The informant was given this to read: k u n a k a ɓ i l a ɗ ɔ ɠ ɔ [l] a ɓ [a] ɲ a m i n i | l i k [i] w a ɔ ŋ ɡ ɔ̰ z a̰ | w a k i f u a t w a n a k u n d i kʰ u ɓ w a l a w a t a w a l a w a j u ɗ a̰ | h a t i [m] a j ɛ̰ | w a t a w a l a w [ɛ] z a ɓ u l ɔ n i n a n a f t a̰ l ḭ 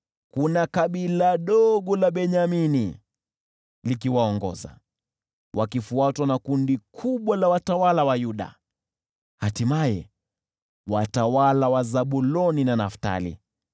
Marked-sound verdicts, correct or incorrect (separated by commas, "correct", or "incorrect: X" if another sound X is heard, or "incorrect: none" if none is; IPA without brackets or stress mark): correct, incorrect: ɛ, correct, correct, incorrect: a